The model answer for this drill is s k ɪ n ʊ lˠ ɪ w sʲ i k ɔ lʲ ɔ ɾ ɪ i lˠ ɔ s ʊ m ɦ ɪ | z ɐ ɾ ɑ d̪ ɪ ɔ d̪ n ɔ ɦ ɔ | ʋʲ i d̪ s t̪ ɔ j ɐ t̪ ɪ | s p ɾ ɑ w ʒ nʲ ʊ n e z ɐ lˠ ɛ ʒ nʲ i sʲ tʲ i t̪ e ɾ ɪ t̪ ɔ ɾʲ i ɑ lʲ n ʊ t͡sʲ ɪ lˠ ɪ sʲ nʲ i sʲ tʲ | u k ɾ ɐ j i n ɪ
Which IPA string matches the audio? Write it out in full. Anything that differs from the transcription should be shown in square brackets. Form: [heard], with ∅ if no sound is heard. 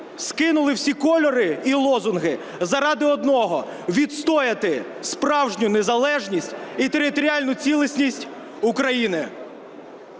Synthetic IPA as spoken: s k ɪ n ʊ lˠ ɪ w sʲ i k ɔ lʲ ɔ ɾ ɪ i lˠ ɔ [z] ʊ [n] ɦ ɪ | z ɐ ɾ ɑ d̪ ɪ ɔ d̪ n ɔ ɦ ɔ | ʋʲ i d̪ s t̪ ɔ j ɐ t̪ ɪ | s p ɾ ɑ w ʒ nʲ ʊ n e z ɐ lˠ ɛ ʒ nʲ i sʲ tʲ i t̪ e ɾ ɪ t̪ ɔ ɾʲ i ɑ lʲ n ʊ t͡sʲ [i] lˠ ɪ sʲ nʲ i sʲ tʲ | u k ɾ ɐ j i n ɪ

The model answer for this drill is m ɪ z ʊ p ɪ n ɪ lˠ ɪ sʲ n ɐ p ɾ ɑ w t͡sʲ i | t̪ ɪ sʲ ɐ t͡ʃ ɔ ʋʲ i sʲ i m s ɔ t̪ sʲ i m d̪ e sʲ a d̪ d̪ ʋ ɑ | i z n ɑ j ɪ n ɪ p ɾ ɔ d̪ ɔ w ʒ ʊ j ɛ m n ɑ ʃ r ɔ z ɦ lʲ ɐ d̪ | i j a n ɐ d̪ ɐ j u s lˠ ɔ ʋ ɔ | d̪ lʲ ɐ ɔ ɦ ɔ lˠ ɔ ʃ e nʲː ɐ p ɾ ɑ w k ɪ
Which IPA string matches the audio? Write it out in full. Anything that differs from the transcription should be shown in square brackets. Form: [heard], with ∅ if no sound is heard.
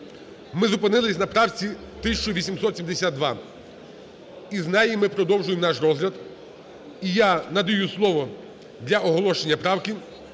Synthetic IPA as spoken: m ɪ z ʊ p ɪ n ɪ lˠ ɪ sʲ n ɐ p ɾ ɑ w t͡sʲ i | t̪ ɪ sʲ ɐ t͡ʃ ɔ ʋʲ i sʲ i m s ɔ t̪ sʲ i m d̪ e sʲ a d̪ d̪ ʋ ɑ | i z n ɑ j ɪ [m] ɪ p ɾ ɔ d̪ ɔ w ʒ ʊ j [e] m n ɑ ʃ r ɔ z ɦ lʲ ɐ d̪ | i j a n ɐ d̪ ɐ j u s lˠ ɔ ʋ ɔ | d̪ lʲ ɐ ɔ ɦ ɔ lˠ ɔ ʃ e nʲː ɐ p ɾ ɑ w k ɪ

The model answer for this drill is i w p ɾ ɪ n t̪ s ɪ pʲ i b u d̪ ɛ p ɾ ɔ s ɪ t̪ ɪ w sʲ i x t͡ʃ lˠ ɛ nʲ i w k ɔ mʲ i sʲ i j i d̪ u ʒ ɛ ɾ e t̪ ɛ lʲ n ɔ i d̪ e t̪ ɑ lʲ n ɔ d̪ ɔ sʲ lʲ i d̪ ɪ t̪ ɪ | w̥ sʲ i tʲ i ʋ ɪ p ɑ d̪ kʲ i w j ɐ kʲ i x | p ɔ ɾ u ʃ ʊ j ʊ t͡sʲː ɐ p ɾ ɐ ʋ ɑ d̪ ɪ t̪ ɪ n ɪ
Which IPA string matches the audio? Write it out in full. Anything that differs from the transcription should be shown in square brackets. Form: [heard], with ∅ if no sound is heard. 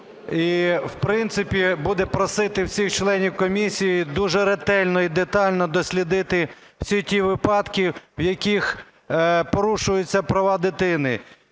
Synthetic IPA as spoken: i w p ɾ ɪ n t̪ s ɪ pʲ i b u d̪ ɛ p ɾ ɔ s ɪ t̪ ɪ w sʲ i x t͡ʃ lˠ ɛ nʲ i w k ɔ mʲ i sʲ i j i d̪ u ʒ ɛ ɾ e t̪ ɛ lʲ n ɔ i d̪ e t̪ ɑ lʲ n ɔ d̪ ɔ sʲ lʲ i d̪ ɪ t̪ ɪ | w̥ sʲ i tʲ i ʋ ɪ p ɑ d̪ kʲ i w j ɐ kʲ i x | p ɔ ɾ u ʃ ʊ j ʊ t͡sʲː ɐ p ɾ ɐ ʋ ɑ d̪ ɪ t̪ ɪ n ɪ

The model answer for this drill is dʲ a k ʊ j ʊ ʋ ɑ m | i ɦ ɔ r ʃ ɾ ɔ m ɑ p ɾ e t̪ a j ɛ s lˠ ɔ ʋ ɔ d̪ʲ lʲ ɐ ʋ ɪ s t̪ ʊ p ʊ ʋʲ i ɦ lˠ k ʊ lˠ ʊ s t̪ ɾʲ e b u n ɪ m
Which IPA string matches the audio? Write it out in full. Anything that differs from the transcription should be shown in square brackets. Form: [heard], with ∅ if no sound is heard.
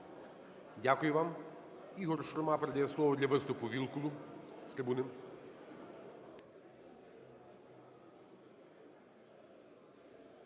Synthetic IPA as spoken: dʲ a k ʊ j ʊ ʋ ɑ m | i ɦ ɔ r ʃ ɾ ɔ m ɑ p ɾ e [d̪] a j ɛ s lˠ ɔ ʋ ɔ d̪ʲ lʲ ɐ ʋ ɪ s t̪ ʊ p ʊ ʋʲ i [∅] lˠ k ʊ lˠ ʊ s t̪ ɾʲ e b u n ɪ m

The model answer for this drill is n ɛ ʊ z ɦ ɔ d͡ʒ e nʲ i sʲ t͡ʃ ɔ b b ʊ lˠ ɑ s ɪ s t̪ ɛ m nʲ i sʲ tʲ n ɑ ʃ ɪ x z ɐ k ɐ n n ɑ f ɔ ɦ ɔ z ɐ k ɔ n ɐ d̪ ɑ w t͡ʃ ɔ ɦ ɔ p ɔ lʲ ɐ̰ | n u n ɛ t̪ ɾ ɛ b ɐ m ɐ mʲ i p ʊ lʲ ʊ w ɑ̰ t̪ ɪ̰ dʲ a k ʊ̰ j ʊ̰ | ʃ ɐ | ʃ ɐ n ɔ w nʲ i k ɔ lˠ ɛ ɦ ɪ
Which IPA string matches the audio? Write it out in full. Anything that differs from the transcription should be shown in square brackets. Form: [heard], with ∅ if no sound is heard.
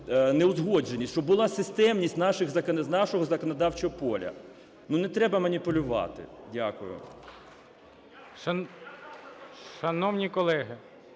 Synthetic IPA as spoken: n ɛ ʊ z ɦ ɔ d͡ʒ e nʲ i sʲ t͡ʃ ɔ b b ʊ lˠ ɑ s ɪ s t̪ ɛ m nʲ i sʲ tʲ n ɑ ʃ ɪ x z ɐ k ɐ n n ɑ [ʃ] ɔ ɦ ɔ z ɐ k ɔ n ɐ d̪ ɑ w t͡ʃ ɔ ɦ ɔ p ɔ lʲ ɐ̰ | n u n ɛ t̪ ɾ ɛ b ɐ m ɐ [nʲ] i p ʊ lʲ ʊ [ʋ] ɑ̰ t̪ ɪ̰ dʲ a k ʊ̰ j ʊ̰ | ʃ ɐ | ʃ ɐ n ɔ w nʲ i k ɔ lˠ ɛ ɦ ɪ

